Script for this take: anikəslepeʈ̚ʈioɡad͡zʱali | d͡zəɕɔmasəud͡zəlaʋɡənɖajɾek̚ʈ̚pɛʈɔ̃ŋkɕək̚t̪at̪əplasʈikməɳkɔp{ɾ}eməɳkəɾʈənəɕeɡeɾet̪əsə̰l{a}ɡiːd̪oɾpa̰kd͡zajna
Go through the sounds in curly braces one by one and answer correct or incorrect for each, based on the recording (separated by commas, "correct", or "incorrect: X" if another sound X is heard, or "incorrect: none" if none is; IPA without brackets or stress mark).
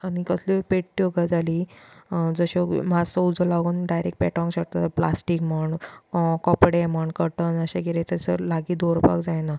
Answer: incorrect: ɽ, correct